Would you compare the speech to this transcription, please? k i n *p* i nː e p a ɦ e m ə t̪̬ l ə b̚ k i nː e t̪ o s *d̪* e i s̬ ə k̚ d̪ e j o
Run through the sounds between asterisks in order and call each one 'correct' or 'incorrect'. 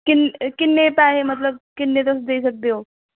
incorrect: k, correct

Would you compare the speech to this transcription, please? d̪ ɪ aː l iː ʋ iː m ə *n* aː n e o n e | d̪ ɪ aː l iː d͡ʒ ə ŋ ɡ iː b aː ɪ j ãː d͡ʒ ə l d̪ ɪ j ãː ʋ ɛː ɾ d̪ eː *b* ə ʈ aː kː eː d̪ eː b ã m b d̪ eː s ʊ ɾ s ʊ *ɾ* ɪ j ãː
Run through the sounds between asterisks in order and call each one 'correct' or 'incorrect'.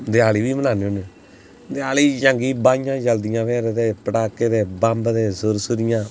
correct, incorrect: p, correct

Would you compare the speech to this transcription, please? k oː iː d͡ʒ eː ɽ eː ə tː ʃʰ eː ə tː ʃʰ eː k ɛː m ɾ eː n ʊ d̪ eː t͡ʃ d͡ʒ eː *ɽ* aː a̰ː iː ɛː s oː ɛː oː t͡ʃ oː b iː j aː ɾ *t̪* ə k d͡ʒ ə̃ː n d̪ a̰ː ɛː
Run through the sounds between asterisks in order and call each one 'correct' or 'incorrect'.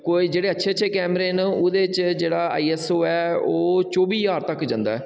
correct, correct

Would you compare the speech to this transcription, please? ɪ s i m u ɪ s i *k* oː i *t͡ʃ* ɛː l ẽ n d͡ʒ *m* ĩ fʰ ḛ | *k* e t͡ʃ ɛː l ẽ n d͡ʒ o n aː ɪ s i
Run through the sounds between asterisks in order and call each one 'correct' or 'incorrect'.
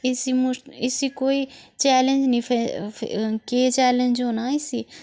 correct, correct, incorrect: n, correct

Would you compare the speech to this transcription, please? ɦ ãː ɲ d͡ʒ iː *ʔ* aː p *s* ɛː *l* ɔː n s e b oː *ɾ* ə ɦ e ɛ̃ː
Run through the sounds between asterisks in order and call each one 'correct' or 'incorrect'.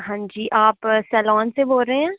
correct, correct, correct, correct

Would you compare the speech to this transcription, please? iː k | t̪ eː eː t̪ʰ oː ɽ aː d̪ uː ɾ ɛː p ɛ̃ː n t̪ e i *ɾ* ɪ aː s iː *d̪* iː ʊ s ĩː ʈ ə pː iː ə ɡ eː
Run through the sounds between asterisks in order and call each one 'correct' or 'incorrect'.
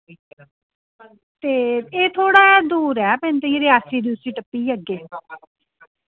correct, correct

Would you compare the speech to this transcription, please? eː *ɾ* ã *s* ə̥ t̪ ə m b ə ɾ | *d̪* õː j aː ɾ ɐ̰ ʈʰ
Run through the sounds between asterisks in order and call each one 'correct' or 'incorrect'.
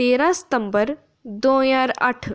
correct, correct, correct

